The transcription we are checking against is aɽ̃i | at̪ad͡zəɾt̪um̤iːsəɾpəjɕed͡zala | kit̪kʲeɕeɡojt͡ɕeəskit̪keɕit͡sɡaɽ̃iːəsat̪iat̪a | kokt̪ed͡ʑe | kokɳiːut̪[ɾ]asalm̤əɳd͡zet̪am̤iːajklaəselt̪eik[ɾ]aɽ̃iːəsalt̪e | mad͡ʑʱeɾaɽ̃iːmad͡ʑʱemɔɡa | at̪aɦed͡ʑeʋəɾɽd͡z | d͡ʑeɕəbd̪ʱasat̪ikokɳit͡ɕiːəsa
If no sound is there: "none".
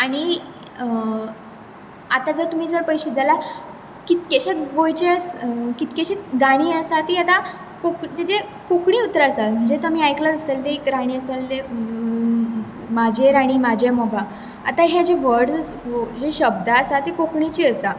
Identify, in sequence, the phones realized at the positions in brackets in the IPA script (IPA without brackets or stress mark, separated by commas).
ɾ, ɾ